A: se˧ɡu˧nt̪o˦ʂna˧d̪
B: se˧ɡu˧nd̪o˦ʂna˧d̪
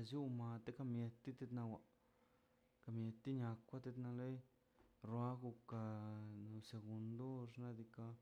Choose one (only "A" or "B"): B